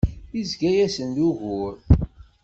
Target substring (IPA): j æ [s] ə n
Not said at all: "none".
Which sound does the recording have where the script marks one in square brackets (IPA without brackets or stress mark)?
s